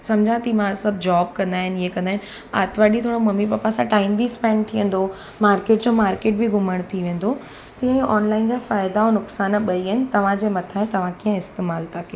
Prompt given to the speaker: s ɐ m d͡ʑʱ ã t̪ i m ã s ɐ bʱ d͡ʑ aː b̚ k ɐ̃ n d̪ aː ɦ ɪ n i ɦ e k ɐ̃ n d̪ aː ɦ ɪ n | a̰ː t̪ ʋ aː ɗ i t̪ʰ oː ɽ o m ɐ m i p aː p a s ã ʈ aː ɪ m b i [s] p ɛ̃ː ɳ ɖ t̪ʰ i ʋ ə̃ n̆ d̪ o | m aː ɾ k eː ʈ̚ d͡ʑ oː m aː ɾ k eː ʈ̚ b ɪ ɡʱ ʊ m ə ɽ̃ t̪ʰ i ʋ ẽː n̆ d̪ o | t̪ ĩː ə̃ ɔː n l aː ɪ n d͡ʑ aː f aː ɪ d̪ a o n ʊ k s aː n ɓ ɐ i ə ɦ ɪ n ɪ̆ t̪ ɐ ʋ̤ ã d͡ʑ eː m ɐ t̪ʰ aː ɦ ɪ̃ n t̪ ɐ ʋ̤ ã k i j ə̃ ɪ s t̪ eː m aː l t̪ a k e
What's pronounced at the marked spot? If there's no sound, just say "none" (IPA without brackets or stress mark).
s